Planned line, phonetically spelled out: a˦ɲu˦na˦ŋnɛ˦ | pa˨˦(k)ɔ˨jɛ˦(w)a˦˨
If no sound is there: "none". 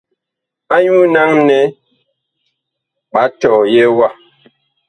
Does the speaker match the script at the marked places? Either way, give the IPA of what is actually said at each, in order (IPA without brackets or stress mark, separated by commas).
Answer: t, w